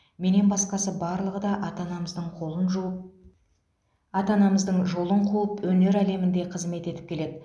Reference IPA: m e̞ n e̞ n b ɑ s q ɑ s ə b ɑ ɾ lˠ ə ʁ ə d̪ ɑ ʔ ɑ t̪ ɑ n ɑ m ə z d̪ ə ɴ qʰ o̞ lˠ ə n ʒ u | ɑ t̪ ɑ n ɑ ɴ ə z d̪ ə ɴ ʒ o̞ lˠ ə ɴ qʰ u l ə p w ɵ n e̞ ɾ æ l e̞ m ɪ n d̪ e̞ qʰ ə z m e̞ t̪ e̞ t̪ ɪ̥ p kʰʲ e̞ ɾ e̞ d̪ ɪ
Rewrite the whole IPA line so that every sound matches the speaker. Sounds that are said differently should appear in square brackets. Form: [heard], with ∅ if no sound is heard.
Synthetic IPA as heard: m e̞ n e̞ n b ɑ s q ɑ s ə b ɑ ɾ lˠ ə ʁ ə d̪ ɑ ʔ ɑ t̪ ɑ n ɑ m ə z d̪ ə ɴ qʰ o̞ lˠ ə n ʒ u | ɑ t̪ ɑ n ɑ [m] ə z d̪ ə ɴ ʒ o̞ lˠ ə ɴ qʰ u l ə p w ɵ n e̞ ɾ æ l e̞ m ɪ n d̪ e̞ qʰ ə z m e̞ t̪ e̞ t̪ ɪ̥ p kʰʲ e̞ [l] e̞ d̪ ɪ

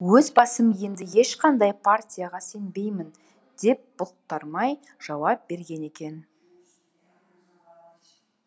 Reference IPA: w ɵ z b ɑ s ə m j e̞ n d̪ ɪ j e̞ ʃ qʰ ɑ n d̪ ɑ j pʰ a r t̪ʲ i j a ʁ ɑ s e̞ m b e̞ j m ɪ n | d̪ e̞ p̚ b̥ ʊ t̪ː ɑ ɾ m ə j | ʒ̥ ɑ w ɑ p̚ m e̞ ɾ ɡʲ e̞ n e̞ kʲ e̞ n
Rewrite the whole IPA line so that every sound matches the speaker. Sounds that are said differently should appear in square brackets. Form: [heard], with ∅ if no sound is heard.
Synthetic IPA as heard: w ɵ z b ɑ s ə m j e̞ n d̪ ɪ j e̞ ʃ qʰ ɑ n d̪ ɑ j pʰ a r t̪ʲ i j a ʁ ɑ s e̞ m b e̞ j m ɪ n | d̪ e̞ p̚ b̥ ʊ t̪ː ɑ ɾ m [ɑ] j | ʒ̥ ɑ w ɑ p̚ [b] e̞ ɾ ɡʲ e̞ n e̞ kʲ e̞ n

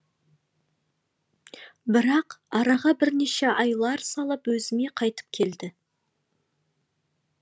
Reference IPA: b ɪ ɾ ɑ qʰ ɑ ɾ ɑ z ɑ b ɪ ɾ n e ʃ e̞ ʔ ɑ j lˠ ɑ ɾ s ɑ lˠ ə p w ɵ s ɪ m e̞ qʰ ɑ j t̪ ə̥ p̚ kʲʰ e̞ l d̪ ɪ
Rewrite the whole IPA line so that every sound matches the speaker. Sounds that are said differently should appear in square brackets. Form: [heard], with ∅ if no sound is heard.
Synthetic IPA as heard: b ɪ ɾ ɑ [q] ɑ ɾ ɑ [ʁ] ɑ b ɪ ɾ n e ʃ e̞ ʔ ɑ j lˠ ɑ ɾ s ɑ lˠ ə p w ɵ [z] ɪ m e̞ qʰ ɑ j t̪ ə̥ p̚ kʲʰ e̞ l d̪ ɪ

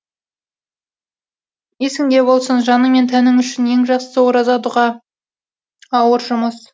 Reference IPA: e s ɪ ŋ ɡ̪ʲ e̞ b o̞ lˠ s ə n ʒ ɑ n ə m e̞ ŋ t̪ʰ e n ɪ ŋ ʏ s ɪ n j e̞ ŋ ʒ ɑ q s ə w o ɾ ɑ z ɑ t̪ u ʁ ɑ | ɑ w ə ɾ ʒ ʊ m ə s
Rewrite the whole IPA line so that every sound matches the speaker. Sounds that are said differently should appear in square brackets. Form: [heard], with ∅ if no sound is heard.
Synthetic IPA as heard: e s ɪ ŋ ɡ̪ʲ e̞ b o̞ lˠ s ə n ʒ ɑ n ə m e̞ [n] t̪ʰ [æ] n ɪ ŋ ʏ [ʃ] ɪ n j e̞ ŋ ʒ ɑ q s ə w o ɾ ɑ z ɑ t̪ u ʁ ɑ | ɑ w ə ɾ ʒ ʊ m ə s

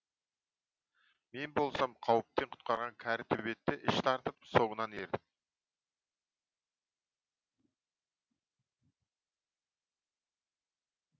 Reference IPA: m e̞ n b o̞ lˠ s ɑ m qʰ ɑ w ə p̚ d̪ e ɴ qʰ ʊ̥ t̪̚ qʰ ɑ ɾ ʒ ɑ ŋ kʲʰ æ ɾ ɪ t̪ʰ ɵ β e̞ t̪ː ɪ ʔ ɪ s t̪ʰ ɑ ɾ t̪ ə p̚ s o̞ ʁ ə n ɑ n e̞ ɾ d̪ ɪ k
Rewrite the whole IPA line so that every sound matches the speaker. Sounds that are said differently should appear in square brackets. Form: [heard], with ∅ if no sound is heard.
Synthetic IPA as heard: m e̞ n b o̞ lˠ s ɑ m qʰ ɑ w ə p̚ [t̪] e ɴ qʰ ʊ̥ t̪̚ [q] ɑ ɾ [ʁ] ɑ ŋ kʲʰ æ ɾ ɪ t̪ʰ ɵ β e̞ t̪ː ɪ ʔ ɪ [ʃ] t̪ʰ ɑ ɾ t̪ ə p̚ s o̞ ʁ ə n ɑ n e̞ ɾ d̪ ɪ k

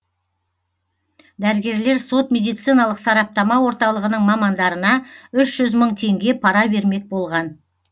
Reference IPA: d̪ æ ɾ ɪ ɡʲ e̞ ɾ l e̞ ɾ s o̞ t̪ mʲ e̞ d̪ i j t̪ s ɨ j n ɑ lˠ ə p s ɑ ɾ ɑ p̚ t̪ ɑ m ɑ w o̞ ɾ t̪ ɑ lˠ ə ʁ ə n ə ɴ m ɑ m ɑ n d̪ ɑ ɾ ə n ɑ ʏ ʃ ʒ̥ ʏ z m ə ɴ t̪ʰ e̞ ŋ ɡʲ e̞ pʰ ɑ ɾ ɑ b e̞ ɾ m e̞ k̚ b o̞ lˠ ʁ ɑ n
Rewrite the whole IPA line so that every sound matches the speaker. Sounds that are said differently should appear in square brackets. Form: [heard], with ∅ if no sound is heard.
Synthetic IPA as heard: d̪ æ ɾ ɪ ɡʲ e̞ ɾ l e̞ ɾ s o̞ t̪ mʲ e̞ d̪ i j t̪ s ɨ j n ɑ lˠ ə [q] s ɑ ɾ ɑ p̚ t̪ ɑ m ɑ w o̞ ɾ t̪ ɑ lˠ ə ʁ ə n ə ɴ m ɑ m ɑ n d̪ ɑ ɾ ə n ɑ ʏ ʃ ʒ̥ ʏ z m ə ɴ t̪ʰ e̞ ŋ ɡʲ e̞ pʰ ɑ ɾ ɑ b e̞ ɾ m e̞ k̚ b o̞ lˠ ʁ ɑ n

